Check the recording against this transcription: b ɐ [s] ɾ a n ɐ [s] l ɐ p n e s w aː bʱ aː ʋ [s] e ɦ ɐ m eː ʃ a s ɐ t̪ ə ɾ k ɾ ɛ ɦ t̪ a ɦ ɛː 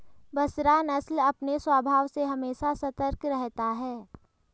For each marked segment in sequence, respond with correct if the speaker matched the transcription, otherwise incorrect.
correct, correct, correct

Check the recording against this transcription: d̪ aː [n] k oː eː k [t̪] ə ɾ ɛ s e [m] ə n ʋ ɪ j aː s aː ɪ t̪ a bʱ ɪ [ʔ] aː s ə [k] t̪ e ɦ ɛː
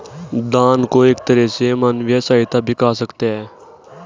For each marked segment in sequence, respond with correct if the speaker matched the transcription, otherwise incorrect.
correct, correct, correct, incorrect: k, correct

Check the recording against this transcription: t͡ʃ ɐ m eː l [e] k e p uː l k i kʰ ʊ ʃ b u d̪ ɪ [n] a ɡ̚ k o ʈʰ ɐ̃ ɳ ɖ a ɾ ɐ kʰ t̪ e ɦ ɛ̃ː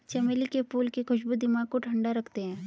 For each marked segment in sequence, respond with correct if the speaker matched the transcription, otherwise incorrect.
incorrect: i, incorrect: m

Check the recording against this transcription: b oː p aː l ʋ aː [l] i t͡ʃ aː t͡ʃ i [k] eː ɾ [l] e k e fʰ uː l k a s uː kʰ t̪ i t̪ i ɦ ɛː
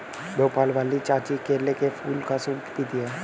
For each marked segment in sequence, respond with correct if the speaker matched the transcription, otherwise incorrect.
correct, correct, correct

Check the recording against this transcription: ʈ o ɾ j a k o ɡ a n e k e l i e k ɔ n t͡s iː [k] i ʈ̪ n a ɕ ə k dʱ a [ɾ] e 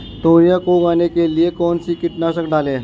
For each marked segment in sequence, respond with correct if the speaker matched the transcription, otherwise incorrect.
correct, incorrect: l

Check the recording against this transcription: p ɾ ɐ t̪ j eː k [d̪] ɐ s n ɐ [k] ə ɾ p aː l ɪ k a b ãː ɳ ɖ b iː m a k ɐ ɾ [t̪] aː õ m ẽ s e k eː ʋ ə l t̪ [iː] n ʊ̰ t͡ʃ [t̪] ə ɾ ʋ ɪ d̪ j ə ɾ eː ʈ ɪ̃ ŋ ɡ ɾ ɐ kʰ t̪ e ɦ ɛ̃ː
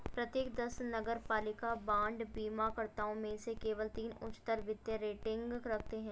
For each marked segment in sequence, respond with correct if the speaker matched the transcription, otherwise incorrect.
correct, incorrect: ɡ, correct, correct, correct

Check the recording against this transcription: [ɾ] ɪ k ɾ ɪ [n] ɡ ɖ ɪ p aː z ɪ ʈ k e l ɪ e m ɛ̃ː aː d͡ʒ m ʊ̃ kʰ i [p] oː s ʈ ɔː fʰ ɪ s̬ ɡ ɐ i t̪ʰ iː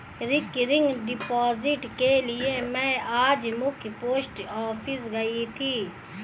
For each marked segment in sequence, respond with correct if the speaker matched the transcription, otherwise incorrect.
correct, incorrect: ŋ, correct

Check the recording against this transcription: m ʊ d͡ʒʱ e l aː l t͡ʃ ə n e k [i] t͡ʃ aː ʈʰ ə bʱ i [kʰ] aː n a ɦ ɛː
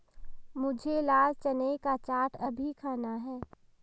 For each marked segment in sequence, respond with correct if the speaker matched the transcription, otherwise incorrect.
incorrect: a, correct

